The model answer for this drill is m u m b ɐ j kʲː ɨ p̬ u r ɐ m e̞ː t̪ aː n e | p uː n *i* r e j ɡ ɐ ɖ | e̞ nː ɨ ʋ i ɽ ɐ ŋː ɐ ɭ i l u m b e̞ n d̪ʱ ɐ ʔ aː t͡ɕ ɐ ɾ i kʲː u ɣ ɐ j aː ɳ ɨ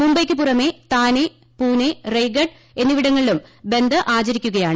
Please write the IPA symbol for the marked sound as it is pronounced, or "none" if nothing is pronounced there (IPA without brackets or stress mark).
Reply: e